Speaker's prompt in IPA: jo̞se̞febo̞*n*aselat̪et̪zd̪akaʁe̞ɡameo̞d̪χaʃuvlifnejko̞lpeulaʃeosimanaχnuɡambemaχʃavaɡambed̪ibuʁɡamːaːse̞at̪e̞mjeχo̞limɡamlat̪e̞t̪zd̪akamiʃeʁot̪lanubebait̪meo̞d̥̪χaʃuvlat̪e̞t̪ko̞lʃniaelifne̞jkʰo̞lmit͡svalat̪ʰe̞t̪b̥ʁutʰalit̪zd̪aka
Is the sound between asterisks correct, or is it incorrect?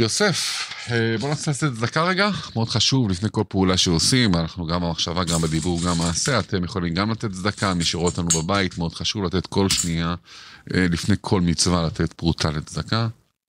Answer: correct